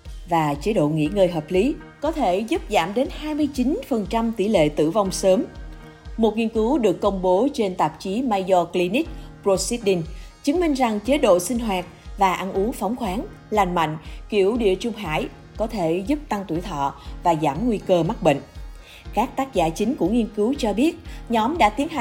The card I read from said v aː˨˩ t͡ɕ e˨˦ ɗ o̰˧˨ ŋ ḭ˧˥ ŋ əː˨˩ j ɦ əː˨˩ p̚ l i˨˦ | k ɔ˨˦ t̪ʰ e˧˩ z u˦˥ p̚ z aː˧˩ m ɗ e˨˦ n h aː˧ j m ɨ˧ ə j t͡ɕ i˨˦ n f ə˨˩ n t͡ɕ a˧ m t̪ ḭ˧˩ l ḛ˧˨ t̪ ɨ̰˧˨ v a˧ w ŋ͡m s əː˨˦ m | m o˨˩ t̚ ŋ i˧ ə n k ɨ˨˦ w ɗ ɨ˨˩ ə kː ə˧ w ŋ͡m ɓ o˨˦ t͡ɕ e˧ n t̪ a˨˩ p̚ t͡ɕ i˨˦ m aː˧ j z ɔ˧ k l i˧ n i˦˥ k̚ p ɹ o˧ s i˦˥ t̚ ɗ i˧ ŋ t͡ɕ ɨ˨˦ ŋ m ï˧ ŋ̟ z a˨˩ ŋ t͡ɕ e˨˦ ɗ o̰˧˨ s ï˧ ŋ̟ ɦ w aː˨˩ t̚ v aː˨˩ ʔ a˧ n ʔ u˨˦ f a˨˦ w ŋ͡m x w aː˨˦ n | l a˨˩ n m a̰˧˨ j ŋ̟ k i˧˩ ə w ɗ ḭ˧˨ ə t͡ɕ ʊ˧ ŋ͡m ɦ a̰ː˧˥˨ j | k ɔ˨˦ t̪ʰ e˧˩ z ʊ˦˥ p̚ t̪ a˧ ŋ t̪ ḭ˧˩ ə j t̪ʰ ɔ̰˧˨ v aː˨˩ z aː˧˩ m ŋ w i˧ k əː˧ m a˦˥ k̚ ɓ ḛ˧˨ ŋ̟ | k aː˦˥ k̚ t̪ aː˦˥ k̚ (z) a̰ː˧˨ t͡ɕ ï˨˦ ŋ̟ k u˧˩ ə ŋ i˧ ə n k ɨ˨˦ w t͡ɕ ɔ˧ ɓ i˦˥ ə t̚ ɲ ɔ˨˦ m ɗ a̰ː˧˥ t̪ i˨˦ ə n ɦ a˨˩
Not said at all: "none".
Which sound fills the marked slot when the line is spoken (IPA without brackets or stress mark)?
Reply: z